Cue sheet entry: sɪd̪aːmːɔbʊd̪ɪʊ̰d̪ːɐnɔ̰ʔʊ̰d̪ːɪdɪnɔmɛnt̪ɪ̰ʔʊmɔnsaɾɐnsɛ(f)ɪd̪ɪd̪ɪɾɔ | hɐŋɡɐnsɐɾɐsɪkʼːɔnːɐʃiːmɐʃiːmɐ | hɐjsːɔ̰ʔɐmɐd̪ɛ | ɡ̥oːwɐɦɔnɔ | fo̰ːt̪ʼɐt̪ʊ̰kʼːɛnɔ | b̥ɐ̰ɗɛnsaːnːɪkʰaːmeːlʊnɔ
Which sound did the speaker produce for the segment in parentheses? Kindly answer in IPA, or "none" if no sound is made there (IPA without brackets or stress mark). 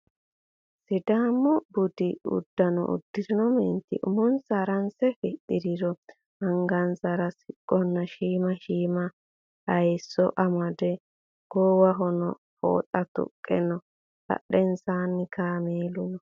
f